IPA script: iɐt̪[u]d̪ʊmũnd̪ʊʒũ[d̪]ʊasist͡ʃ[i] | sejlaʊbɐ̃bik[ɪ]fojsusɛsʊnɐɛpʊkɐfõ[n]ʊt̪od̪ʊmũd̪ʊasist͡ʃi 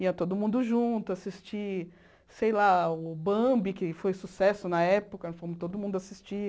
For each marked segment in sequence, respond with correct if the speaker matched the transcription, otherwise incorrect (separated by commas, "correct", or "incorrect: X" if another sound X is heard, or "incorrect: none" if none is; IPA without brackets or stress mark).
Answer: incorrect: o, incorrect: t̪, correct, correct, incorrect: m